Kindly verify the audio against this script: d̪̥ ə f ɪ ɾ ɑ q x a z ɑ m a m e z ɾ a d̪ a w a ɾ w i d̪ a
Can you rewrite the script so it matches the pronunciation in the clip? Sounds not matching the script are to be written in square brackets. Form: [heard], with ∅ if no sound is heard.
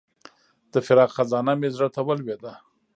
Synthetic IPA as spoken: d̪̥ ə f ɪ ɾ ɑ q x a z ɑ [n] a m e z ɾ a [t̪] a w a [l] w [e] d̪ a